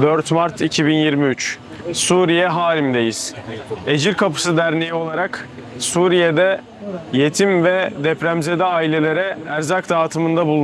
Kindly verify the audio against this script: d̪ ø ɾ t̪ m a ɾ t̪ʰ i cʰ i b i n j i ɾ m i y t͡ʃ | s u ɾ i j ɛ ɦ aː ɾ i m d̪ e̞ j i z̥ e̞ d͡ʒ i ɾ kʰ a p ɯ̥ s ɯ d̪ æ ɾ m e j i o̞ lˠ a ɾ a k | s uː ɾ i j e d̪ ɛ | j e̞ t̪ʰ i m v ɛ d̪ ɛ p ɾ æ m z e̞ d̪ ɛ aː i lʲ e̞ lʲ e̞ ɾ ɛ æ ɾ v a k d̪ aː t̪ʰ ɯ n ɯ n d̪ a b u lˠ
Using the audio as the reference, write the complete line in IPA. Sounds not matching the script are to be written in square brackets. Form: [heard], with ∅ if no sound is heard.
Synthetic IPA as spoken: d̪ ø ɾ t̪ m a ɾ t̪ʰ i cʰ i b i n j i ɾ m i y t͡ʃ | s u ɾ i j ɛ ɦ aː ɾ i m d̪ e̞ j i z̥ e̞ d͡ʒ i ɾ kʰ a p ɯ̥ s ɯ d̪ æ ɾ [n] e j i o̞ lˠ a ɾ a k | s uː ɾ i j e d̪ ɛ | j e̞ t̪ʰ i m v ɛ d̪ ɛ p ɾ æ m z e̞ d̪ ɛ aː i lʲ e̞ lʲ e̞ ɾ ɛ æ ɾ [z] a k d̪ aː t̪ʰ ɯ [m] ɯ n d̪ a b u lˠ